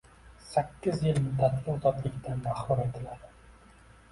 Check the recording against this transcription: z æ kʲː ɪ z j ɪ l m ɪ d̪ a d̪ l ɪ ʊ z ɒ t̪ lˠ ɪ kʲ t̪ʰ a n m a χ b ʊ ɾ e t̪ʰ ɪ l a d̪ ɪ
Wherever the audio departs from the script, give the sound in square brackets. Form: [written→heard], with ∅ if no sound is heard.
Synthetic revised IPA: [z→s] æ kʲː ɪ z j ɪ l m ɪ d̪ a [d̪→t̪] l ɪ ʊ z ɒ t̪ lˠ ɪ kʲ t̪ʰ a n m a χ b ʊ ɾ e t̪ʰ ɪ l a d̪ ɪ